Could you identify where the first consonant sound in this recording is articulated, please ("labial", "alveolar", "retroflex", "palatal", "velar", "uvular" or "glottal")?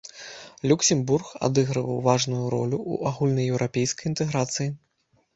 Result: alveolar